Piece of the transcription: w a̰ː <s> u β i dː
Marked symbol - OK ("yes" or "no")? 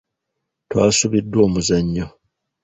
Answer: yes